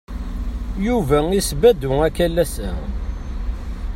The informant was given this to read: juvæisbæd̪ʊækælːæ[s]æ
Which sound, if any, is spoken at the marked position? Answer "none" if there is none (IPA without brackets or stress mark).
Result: s